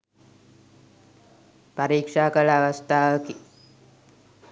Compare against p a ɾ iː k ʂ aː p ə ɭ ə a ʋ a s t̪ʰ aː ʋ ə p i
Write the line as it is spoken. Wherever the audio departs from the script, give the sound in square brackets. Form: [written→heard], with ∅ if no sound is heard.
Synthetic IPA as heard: p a ɾ iː k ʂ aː [p→k] ə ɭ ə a ʋ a s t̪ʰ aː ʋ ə [p→k] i